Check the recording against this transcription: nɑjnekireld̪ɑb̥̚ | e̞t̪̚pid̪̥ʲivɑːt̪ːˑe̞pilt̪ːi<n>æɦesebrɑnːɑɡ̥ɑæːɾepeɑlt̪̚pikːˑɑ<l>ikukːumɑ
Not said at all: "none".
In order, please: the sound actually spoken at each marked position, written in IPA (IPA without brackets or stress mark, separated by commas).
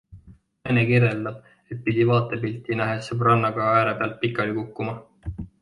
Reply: n, l